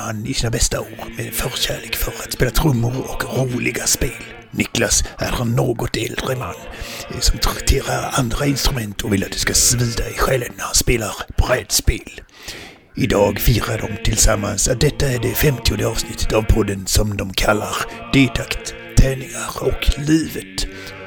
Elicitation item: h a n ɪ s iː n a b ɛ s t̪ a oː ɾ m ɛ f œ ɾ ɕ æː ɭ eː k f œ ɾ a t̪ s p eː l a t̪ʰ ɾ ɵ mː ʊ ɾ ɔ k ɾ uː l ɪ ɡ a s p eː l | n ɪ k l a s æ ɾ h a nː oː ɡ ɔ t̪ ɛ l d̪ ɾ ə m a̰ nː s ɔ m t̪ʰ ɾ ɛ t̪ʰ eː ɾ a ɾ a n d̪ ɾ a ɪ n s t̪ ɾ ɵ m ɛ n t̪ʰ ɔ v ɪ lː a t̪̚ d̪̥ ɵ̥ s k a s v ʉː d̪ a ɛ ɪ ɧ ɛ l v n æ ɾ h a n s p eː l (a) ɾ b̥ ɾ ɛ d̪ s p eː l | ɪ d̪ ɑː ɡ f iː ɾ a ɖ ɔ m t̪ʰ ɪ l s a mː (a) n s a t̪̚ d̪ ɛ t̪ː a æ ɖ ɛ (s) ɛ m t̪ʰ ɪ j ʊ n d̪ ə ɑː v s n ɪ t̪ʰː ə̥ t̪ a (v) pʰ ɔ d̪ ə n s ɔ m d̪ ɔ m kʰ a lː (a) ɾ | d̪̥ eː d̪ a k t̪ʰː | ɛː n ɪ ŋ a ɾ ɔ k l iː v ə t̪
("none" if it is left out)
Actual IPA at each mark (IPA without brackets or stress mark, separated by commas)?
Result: a, a, f, v, a